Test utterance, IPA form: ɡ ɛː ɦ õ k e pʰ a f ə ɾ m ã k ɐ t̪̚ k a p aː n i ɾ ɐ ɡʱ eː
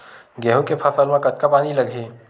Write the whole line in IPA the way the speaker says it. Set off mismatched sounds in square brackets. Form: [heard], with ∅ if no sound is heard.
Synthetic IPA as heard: ɡ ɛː ɦ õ k e pʰ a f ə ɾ m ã k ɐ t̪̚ k a p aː n i [l] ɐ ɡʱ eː

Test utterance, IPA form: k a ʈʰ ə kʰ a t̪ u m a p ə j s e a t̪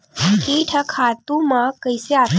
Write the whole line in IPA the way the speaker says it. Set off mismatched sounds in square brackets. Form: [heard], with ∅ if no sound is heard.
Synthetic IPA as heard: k [i] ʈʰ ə kʰ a t̪ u m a [k] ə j s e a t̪

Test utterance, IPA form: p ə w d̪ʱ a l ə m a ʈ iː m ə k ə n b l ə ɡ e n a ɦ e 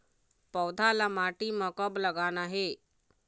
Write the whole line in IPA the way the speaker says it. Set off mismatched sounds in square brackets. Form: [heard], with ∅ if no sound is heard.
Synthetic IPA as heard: p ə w d̪ʱ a l [a] m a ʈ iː m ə k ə [∅] b l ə ɡ [a] n a ɦ e

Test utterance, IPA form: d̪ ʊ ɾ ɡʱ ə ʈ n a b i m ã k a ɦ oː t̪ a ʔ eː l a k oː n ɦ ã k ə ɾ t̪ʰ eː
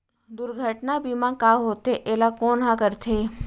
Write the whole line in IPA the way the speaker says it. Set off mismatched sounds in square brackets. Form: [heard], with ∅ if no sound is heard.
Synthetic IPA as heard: d̪ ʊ ɾ ɡʱ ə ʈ n a b i m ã k a ɦ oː t̪ [e] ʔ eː l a k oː n ɦ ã k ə ɾ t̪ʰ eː

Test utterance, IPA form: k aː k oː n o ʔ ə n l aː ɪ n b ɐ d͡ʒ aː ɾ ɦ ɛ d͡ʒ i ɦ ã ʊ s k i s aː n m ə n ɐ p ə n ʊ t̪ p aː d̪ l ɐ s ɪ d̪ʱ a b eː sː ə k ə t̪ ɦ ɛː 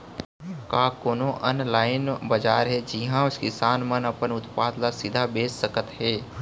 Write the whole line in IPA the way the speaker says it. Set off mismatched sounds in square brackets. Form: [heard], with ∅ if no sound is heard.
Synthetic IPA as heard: k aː k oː n o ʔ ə n l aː ɪ n b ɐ d͡ʒ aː ɾ ɦ ɛ d͡ʒ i ɦ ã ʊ s k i s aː n m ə n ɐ p ə n ʊ t̪ p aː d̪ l [a] s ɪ d̪ʱ a b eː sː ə k ə t̪ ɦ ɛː

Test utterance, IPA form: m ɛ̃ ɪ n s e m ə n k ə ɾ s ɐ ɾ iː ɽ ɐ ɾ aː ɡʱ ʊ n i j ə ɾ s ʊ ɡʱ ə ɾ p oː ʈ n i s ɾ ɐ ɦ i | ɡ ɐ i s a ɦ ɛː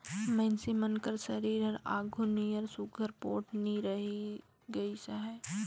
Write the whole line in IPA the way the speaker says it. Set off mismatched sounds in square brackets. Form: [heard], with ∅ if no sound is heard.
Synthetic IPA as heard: m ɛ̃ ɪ n s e m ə n k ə ɾ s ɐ ɾ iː [ɾ] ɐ ɾ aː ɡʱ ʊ n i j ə ɾ s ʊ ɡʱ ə ɾ p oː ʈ n i [∅] ɾ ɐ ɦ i | ɡ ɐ i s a ɦ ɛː

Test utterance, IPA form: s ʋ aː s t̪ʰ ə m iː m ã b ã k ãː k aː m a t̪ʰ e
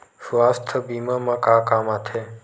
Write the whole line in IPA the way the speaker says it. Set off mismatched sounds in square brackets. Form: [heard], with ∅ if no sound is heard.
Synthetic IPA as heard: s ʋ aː s t̪ʰ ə [b] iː m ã [m] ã k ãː k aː m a t̪ʰ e

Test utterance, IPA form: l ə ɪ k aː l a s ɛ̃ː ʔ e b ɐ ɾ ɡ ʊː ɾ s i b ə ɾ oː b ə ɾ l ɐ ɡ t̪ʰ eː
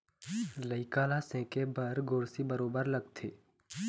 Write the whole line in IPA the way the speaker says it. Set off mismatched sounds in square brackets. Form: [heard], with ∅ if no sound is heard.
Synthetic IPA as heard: l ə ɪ k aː l a s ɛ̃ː [k] e b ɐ ɾ ɡ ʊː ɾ s i b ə ɾ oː b ə ɾ l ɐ ɡ t̪ʰ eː

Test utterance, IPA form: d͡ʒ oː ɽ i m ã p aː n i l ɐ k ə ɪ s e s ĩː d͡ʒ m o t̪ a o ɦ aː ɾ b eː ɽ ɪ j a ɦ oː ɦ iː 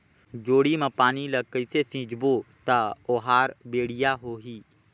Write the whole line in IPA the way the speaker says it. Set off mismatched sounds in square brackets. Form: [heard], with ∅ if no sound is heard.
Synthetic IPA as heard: d͡ʒ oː ɽ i m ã p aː n i l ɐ k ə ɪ s e s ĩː d͡ʒ [b] o t̪ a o ɦ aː ɾ b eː ɽ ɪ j a ɦ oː ɦ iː

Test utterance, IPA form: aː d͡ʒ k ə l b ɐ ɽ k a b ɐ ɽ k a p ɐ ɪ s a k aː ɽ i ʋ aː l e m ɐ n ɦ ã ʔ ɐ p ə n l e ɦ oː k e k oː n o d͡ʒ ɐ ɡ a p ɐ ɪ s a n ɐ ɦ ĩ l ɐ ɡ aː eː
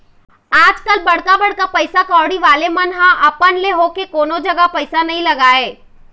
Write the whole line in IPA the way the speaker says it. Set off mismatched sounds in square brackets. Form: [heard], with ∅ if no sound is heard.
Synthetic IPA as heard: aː d͡ʒ k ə l b ɐ ɽ k a b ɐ ɽ k a p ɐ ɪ s a k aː ɽ i ʋ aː l e m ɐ n ɦ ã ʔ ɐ p ə n l e ɦ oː k e k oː n o d͡ʒ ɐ ɡ a p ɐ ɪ s a n ɐ ɦ ĩ l ɐ ɡ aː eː

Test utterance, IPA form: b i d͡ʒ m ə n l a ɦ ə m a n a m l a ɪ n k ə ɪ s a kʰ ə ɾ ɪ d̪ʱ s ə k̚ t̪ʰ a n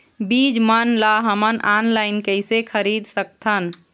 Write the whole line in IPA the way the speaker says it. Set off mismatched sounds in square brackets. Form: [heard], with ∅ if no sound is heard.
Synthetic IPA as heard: b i d͡ʒ m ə n l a ɦ ə m [ə] n a [n] l a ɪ n k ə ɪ s [e] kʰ ə ɾ [i] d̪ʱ s ə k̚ t̪ʰ [ə] n

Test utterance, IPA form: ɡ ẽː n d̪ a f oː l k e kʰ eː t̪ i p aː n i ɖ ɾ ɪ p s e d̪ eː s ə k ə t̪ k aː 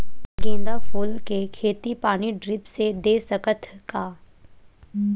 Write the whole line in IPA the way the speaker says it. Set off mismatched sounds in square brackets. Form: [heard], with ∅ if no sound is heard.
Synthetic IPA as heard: ɡ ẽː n d̪ a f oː l k e kʰ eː t̪ i p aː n i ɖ ɾ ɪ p s e d̪ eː s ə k ə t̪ k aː

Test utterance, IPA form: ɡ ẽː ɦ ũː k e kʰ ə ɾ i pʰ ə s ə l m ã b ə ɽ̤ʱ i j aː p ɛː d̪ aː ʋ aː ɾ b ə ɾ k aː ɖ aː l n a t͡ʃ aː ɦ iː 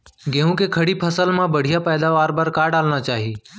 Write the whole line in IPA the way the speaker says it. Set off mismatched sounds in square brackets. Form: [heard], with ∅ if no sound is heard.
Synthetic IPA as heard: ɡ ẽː ɦ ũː k e kʰ ə [ɽ] i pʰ ə s ə l m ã b ə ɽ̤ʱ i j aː p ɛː d̪ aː ʋ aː ɾ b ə ɾ k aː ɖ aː l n a t͡ʃ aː ɦ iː

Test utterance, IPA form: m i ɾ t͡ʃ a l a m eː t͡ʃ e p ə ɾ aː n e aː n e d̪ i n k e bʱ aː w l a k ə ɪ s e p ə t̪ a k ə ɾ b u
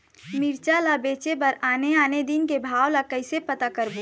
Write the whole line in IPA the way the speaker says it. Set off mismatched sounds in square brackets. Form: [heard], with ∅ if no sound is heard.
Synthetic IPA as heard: m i ɾ t͡ʃ a l a [b] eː t͡ʃ e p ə ɾ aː n e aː n e d̪ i n k e bʱ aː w l a k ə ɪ s e p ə t̪ a k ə ɾ b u

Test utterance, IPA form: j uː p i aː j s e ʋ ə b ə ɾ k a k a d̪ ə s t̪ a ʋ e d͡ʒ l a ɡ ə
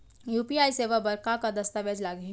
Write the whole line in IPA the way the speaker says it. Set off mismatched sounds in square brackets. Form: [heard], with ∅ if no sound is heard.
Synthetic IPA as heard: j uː p i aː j s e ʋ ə b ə ɾ k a k a d̪ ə s t̪ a ʋ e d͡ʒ l a ɡ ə

